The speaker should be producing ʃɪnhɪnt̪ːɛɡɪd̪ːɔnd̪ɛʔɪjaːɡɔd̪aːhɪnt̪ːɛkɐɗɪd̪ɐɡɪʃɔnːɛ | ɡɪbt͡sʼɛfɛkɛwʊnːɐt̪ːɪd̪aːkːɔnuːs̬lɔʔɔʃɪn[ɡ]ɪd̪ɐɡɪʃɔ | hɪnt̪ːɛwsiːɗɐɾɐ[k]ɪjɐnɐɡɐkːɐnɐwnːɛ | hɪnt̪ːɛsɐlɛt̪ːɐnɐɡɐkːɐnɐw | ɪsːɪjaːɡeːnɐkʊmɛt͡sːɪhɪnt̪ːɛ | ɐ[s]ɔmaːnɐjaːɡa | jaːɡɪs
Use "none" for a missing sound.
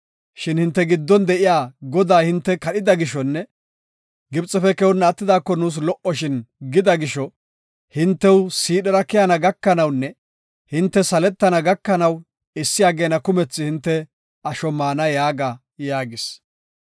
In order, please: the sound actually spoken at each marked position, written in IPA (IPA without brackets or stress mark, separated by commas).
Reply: ɡ, k, ʃ